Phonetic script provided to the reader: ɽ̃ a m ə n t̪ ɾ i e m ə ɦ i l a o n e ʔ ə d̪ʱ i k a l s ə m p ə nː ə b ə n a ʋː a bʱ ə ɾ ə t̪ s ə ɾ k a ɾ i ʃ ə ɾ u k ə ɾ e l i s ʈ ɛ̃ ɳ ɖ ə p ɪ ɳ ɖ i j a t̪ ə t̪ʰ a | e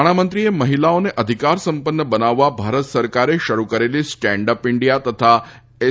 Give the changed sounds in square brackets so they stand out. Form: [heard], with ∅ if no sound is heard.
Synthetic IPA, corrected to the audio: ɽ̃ a m ə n t̪ ɾ i e m ə ɦ i l a o n e ʔ ə d̪ʱ i k a [ɾ] s ə m p ə nː ə b ə n a ʋː a bʱ [a] ɾ ə t̪ s ə ɾ k a ɾ [e] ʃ ə ɾ u k ə ɾ e l i s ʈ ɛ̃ ɳ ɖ ə p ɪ ɳ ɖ i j a t̪ ə t̪ʰ a | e